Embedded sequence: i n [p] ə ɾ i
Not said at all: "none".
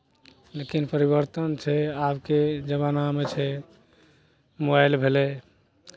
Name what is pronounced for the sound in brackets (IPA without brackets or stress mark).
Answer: p